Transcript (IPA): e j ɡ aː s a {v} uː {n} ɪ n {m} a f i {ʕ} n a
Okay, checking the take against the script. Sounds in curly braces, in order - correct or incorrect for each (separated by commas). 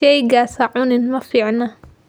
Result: incorrect, correct, correct, correct